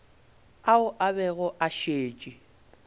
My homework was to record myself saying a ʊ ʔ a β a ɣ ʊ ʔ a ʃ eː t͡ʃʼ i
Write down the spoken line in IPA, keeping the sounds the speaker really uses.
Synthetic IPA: a ʊ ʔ a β ɛ ɣ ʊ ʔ a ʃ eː t͡ʃʼ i